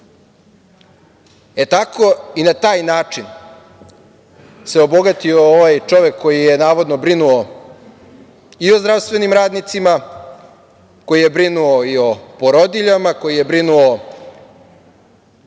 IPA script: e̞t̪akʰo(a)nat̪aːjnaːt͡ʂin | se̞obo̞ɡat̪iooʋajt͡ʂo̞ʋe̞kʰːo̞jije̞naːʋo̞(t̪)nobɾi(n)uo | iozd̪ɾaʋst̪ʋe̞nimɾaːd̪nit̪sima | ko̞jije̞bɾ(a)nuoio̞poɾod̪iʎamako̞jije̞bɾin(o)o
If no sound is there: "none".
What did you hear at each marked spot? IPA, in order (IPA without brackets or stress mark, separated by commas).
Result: i, d̪, n, i, u